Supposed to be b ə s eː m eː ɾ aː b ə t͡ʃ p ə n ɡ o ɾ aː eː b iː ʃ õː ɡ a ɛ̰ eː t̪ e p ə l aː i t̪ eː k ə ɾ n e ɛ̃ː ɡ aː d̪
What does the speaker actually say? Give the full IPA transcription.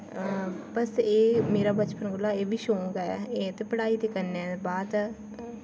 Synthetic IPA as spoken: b ə s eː m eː ɾ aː b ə t͡ʃ p ə n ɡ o l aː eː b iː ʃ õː ɡ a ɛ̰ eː t̪ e p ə ɽ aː i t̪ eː k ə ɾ n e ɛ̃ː b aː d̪